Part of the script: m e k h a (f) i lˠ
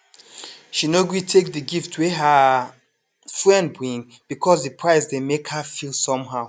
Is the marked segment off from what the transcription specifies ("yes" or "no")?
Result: no